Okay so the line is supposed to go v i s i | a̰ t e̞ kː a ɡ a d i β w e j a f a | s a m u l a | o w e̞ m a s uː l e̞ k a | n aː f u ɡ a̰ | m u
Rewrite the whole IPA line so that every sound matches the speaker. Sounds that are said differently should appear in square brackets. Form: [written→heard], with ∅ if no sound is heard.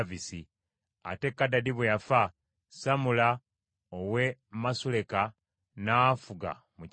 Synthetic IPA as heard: v i s i | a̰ t e̞ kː a [ɡ→d] a d i β w e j a f a | s a m u l a | o w e̞ m a s [uː→u] l e̞ k a | n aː f u ɡ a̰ | m u